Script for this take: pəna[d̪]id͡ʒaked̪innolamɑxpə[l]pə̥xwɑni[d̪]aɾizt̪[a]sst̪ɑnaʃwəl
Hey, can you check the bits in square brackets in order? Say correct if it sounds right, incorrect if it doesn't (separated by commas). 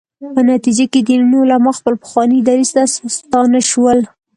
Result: incorrect, correct, correct, correct